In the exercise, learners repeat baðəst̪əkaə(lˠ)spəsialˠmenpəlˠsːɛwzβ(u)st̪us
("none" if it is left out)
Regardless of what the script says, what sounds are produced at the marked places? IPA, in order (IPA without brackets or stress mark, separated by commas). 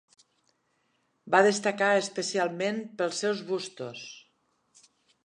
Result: none, u